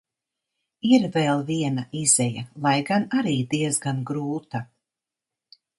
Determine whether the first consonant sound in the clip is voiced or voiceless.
voiced